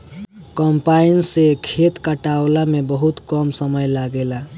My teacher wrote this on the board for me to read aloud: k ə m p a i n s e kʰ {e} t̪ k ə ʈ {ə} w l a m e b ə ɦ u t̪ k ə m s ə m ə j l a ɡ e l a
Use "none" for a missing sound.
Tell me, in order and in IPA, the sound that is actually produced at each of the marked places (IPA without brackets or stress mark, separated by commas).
e, a